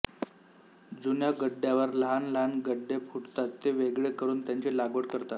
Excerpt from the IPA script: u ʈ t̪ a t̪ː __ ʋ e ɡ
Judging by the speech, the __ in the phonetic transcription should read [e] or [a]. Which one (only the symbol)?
e